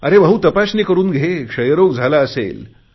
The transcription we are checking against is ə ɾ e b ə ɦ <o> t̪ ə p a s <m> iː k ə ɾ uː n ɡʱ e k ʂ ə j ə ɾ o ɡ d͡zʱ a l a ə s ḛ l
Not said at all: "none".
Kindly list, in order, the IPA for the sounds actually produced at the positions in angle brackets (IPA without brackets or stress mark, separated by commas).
u, n